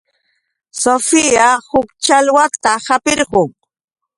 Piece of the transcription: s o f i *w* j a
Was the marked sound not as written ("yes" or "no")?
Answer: yes